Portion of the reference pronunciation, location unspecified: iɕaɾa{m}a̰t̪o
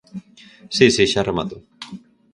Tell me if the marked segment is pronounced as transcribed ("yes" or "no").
yes